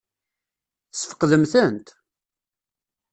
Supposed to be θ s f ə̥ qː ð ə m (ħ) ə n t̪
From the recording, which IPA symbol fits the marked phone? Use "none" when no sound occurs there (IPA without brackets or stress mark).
θ